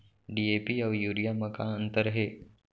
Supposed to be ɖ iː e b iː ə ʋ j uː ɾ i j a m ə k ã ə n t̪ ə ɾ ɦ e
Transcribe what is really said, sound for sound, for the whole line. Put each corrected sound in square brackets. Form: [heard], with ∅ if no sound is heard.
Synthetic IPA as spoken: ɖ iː e [p] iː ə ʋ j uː ɾ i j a m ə k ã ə n t̪ ə ɾ ɦ e